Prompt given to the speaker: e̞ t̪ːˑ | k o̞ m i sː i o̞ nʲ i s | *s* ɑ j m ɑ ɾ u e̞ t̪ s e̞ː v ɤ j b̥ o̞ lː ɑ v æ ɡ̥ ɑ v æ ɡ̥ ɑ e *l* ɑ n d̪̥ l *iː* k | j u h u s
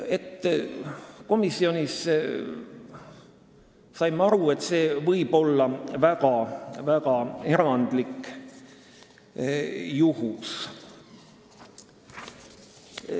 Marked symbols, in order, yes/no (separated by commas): yes, no, no